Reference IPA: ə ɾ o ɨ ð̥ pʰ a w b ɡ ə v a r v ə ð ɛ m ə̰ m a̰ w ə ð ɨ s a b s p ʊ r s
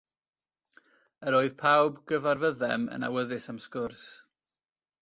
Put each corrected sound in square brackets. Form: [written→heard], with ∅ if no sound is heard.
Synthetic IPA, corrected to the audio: ə ɾ o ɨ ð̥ pʰ a w b ɡ ə v a r v ə ð ɛ m ə̰ [m→n] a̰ w ə ð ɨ s a [b→m] s [p→k] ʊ r s